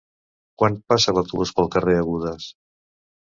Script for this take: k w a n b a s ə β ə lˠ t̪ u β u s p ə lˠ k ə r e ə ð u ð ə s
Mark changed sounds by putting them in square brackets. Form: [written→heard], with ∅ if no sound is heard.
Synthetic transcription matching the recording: k w a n [b→p] a s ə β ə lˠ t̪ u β u s p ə lˠ k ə r e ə [ð→ɣ] u ð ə s